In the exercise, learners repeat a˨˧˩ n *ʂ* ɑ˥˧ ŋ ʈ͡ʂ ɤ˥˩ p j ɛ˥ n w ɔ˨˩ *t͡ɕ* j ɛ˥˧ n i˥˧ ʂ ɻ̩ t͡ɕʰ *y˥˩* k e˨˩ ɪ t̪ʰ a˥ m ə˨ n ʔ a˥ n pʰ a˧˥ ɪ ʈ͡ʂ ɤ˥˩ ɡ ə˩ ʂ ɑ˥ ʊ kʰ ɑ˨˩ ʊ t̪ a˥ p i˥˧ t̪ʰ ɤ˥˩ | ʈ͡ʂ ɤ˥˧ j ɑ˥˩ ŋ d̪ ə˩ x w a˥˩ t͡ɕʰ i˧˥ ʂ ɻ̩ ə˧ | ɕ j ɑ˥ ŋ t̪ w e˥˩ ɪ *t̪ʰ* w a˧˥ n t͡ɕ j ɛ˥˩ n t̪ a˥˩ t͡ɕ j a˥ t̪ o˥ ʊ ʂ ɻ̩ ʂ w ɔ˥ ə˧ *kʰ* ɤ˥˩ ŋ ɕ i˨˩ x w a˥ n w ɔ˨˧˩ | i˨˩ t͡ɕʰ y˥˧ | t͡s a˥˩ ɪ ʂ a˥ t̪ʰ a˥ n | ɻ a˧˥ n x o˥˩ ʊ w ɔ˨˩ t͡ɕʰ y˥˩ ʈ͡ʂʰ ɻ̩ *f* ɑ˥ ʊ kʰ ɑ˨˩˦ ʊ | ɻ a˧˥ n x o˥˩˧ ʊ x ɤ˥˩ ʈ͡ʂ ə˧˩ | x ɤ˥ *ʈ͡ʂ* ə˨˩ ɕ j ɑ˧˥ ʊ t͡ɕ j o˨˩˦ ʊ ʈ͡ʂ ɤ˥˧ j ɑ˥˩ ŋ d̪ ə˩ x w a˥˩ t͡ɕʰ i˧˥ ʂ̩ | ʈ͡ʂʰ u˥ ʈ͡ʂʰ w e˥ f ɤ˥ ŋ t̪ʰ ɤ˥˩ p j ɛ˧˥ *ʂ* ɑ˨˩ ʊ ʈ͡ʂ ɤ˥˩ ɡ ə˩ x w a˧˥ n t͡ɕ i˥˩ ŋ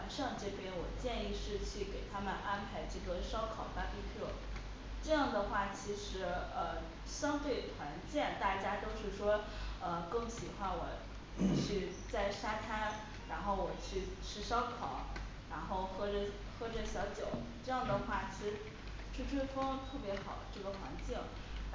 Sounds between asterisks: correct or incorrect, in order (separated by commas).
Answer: correct, correct, correct, correct, incorrect, incorrect, correct, incorrect